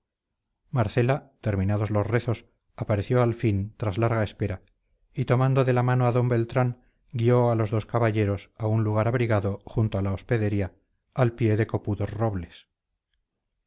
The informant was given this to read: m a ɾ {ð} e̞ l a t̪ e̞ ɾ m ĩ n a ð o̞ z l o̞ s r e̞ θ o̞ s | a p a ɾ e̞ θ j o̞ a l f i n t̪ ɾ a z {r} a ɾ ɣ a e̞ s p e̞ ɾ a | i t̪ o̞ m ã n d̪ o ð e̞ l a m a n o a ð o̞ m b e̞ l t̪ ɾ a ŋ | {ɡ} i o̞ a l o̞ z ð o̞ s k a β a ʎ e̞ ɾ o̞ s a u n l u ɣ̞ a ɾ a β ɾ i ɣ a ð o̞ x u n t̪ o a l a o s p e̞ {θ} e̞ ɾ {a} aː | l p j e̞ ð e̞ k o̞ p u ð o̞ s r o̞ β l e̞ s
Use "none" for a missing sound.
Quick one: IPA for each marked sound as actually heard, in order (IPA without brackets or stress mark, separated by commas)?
θ, l, ɡ, ð, i